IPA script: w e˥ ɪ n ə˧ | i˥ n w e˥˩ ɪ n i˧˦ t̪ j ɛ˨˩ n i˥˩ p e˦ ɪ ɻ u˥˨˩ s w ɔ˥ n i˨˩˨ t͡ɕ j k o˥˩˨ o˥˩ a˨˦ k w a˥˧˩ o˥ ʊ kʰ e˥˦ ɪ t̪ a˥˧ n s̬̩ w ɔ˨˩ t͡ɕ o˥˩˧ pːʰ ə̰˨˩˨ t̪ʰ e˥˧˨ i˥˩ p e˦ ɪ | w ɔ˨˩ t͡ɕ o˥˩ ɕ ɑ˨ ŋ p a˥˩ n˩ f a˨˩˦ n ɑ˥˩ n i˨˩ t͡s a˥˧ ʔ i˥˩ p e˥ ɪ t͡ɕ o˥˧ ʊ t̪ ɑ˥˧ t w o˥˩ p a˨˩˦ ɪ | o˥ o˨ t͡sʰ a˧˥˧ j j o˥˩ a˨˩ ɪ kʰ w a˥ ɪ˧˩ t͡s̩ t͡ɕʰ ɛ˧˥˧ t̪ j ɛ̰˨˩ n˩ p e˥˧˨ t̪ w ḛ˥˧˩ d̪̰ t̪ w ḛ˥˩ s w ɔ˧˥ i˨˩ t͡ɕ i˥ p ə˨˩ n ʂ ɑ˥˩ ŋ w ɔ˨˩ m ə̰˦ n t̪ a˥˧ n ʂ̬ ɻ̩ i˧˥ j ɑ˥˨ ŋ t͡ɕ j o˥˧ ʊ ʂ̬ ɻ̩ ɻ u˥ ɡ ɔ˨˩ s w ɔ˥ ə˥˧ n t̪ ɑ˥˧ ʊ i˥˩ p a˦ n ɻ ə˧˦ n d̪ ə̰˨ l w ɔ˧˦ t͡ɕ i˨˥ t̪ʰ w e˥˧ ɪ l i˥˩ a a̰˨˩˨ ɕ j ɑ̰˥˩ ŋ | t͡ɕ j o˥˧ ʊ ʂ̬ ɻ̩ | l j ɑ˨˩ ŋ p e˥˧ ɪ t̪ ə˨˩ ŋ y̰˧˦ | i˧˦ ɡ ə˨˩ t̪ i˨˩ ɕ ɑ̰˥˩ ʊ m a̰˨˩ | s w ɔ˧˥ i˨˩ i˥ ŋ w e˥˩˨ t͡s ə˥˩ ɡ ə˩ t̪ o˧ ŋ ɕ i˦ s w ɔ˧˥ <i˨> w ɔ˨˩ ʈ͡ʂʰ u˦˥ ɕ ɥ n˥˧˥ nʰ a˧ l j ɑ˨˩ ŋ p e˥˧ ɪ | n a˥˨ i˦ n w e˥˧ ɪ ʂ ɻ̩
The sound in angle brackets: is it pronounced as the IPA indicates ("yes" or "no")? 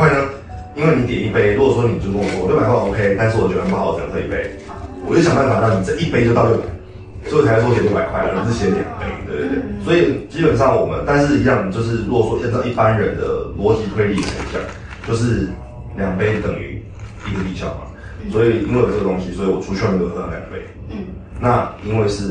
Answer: yes